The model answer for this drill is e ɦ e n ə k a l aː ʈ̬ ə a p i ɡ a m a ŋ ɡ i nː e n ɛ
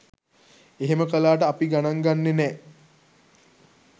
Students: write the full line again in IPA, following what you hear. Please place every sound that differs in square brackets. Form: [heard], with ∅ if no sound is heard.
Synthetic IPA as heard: e ɦ e [m] ə k [ə] l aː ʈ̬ ə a p i ɡ a [n] a ŋ ɡ [a] nː e n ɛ